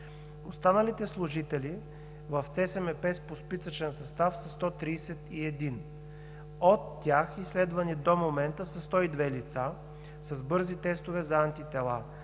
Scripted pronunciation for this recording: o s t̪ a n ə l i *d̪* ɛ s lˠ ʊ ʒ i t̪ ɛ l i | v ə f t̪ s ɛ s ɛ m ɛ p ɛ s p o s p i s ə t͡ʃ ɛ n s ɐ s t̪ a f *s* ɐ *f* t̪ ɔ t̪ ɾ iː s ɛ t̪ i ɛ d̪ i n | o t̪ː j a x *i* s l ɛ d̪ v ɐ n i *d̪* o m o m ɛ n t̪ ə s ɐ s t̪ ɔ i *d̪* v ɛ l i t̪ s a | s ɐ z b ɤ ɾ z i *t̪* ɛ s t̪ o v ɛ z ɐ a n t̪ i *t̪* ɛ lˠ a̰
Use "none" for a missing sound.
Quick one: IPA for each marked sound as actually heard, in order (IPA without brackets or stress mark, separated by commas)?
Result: t̪, s, s, i, d̪, d̪, t̪, t̪